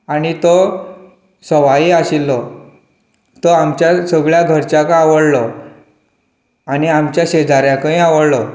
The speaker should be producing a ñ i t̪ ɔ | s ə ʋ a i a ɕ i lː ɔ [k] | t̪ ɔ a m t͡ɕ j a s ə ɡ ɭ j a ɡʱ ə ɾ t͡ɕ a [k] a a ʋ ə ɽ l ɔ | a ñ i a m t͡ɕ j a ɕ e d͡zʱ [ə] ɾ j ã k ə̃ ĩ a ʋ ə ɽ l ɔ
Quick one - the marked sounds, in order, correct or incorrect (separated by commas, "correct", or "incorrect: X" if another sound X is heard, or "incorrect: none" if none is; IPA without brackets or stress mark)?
incorrect: none, correct, incorrect: a